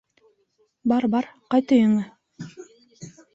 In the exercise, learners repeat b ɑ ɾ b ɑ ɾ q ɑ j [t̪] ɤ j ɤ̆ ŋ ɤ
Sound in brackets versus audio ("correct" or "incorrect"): correct